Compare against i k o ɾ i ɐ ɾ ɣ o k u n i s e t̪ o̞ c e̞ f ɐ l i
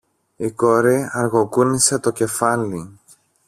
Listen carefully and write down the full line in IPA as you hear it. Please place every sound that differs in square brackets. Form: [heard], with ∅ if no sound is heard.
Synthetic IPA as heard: i k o ɾ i ɐ ɾ ɣ o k u n i s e t̪ o̞ c e̞ f ɐ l i